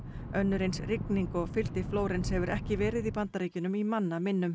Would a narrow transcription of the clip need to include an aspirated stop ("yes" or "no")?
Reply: no